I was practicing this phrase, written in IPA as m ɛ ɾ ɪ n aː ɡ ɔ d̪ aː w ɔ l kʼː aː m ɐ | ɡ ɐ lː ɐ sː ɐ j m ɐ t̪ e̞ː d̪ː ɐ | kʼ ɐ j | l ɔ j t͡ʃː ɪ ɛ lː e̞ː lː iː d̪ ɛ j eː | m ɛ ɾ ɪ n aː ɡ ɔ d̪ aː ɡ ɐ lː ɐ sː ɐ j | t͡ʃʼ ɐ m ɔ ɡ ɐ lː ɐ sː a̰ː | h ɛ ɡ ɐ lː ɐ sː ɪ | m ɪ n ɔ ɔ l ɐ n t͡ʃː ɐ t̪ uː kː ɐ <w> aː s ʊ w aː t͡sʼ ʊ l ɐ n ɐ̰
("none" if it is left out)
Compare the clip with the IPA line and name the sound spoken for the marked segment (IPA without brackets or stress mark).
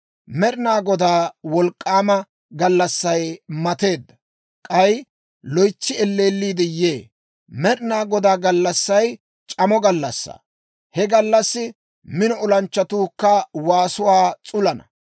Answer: w